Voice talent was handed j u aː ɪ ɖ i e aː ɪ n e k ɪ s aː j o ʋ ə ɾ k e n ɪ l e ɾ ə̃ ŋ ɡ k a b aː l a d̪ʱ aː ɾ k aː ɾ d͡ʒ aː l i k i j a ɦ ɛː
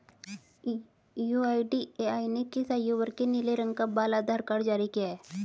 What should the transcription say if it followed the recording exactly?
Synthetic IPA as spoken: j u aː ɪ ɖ i e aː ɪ n e k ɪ s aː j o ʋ ə ɾ k e n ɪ l e ɾ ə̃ ŋ ɡ k a b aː l a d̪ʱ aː ɾ k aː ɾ d͡ʒ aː ɾ i k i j a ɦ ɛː